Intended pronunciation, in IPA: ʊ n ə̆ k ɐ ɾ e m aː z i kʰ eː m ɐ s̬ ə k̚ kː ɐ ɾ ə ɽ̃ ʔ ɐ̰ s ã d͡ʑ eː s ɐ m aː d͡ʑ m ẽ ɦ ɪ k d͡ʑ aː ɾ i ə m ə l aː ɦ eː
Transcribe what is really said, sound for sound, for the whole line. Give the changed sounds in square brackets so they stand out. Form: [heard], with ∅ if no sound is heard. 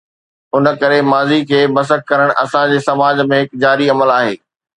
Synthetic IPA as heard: ʊ n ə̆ k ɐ ɾ e m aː z i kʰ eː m ɐ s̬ ə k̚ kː ɐ ɾ ə ɽ̃ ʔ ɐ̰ s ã d͡ʑ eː s ɐ m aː d͡ʑ m ẽ ɦ ɪ k d͡ʑ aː ɾ i [ɐ] m ə l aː ɦ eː